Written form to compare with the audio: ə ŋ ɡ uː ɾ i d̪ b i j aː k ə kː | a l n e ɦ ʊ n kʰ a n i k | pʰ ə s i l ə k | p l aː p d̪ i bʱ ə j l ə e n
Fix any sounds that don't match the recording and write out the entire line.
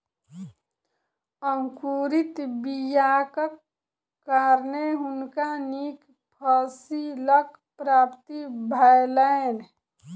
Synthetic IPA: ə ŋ k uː ɾ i t̪ b i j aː k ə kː | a ɾ n e ɦ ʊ n k a n i k | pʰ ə s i l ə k | p ɾ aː p t̪ i bʱ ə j l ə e n